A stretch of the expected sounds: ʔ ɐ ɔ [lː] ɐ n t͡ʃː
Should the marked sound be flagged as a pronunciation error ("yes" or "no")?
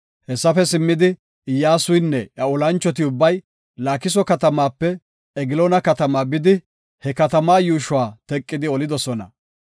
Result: yes